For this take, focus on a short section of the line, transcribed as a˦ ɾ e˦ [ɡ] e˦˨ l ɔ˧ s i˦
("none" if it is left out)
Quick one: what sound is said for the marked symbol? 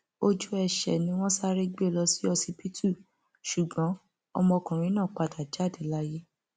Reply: ɡ͡b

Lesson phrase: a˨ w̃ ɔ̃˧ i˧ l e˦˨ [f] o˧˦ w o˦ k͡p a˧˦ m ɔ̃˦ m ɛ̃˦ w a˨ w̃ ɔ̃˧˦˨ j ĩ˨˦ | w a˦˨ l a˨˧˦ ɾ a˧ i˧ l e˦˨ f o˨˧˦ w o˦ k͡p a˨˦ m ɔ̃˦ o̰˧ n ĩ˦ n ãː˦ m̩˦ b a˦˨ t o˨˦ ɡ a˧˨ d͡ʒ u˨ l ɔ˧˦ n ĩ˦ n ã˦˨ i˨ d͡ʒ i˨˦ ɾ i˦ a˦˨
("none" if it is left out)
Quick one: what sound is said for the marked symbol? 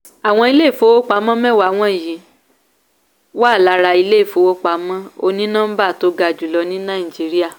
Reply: f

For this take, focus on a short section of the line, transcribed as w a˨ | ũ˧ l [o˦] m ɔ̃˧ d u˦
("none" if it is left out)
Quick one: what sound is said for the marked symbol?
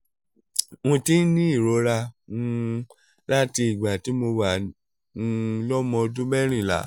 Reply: ɔ˦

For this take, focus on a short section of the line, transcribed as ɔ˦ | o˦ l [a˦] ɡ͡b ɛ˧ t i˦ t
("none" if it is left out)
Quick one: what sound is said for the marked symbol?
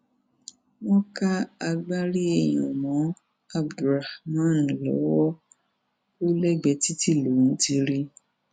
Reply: ɛ˦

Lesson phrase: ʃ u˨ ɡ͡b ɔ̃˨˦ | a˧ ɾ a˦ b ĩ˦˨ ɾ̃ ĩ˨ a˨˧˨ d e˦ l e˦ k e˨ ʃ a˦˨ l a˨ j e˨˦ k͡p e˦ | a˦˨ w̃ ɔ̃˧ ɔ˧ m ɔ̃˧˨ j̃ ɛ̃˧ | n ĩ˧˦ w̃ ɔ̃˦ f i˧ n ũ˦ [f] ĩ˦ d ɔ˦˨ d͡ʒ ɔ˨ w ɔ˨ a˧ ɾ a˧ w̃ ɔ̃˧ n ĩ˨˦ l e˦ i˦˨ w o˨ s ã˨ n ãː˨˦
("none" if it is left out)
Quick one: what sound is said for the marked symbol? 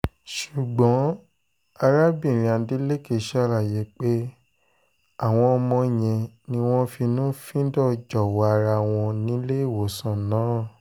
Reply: f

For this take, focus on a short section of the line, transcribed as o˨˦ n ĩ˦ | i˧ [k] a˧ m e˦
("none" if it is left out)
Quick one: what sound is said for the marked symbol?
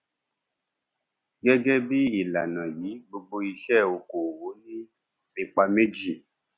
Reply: k͡p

